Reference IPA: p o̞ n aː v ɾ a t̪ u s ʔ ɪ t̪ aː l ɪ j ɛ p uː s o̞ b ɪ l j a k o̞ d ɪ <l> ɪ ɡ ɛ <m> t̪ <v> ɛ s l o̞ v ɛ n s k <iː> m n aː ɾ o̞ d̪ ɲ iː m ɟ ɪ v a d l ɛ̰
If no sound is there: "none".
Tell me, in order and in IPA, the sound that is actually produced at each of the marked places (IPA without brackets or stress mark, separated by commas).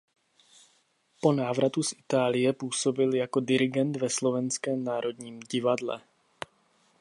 ɾ, n, v, ɛː